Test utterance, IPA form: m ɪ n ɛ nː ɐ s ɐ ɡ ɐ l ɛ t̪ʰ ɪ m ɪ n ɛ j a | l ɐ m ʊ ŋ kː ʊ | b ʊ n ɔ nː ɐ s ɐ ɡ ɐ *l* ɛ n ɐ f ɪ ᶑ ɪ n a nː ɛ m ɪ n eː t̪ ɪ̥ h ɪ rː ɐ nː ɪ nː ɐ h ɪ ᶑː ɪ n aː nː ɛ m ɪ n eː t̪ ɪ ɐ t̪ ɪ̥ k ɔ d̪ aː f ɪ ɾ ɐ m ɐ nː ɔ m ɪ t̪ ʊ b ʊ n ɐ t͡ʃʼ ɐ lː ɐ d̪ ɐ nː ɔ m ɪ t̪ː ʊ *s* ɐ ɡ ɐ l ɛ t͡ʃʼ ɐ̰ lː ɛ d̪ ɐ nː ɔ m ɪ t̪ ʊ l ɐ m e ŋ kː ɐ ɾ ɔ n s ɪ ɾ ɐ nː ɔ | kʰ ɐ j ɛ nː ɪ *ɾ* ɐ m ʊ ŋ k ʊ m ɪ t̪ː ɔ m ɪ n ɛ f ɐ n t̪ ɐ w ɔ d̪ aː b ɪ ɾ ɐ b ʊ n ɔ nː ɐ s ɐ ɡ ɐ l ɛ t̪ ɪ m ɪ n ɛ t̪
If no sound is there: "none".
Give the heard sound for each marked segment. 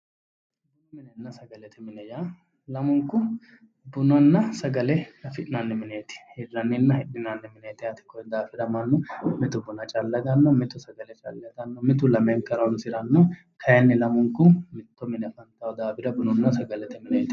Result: l, s, l

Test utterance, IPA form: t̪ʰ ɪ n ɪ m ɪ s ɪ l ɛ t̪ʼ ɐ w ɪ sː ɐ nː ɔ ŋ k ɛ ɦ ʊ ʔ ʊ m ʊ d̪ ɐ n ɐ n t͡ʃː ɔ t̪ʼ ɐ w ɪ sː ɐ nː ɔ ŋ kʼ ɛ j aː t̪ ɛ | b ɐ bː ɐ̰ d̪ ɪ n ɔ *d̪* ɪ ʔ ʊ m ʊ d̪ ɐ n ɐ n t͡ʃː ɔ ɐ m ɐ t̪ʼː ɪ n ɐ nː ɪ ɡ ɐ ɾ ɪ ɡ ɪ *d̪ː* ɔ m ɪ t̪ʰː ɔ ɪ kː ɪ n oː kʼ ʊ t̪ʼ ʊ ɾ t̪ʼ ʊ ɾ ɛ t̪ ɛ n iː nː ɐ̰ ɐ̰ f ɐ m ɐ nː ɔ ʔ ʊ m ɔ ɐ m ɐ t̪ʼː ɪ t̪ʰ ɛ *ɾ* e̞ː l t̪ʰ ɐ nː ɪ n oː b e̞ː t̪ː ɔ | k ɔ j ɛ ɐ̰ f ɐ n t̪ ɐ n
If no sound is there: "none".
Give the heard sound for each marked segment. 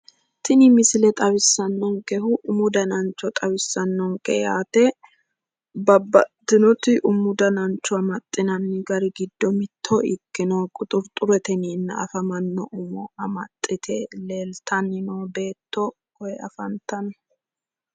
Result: t̪, d̪ː, l

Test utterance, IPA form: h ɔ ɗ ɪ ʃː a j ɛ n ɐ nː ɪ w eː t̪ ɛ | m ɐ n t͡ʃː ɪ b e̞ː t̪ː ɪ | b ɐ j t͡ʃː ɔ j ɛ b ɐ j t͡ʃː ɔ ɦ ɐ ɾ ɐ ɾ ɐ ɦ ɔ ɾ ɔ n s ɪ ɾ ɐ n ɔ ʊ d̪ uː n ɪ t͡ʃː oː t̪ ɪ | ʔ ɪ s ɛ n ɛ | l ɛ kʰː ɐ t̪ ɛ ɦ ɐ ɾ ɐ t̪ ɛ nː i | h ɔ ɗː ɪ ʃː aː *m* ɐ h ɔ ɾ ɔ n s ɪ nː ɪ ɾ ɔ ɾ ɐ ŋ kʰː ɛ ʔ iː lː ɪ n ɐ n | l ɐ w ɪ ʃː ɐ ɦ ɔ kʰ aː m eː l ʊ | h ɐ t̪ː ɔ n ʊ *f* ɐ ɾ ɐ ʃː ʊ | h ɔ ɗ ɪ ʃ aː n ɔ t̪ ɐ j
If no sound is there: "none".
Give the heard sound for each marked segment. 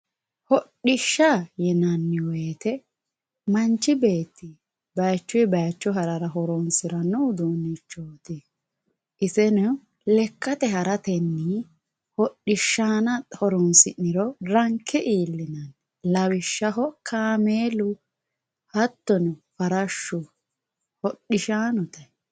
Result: n, f

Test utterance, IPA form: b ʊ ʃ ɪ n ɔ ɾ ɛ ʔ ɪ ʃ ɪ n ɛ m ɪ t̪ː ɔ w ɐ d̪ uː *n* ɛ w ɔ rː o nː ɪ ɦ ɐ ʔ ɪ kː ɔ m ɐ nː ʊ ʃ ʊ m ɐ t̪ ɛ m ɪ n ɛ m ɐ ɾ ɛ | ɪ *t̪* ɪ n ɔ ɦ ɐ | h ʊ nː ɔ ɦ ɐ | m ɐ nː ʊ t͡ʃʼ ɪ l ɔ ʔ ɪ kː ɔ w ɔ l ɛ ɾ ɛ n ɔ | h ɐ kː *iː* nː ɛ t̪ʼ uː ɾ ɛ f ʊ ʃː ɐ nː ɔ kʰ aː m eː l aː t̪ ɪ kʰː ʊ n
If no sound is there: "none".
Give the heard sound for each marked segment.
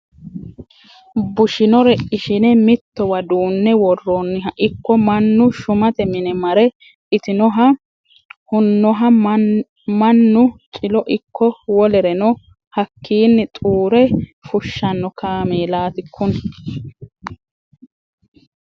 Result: nː, t̪, iː

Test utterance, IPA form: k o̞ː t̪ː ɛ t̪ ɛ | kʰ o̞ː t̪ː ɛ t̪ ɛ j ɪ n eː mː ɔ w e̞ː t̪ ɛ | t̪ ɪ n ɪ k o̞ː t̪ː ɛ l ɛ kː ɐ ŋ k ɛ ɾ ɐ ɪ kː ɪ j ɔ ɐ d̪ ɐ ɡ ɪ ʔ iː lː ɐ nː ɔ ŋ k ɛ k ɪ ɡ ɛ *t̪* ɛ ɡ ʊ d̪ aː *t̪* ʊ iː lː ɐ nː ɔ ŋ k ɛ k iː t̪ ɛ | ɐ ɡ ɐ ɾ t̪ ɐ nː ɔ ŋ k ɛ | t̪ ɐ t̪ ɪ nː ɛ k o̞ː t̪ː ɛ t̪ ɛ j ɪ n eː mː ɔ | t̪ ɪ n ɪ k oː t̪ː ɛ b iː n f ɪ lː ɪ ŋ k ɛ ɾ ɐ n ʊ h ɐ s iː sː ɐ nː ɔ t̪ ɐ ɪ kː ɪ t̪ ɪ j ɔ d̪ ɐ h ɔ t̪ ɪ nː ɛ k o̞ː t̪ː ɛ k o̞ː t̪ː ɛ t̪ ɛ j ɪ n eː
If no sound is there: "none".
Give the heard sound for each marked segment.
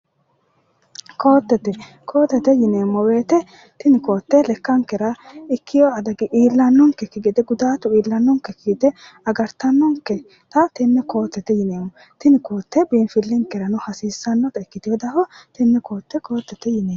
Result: d̪, t̪

